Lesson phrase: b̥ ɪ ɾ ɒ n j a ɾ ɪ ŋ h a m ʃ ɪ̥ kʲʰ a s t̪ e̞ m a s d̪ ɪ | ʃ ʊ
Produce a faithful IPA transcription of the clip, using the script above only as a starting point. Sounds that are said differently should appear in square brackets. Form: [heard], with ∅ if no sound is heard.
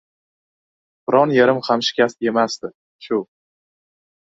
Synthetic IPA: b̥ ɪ ɾ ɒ n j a ɾ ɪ [m] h a m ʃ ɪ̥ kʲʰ a s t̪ e̞ m a s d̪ ɪ | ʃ ʊ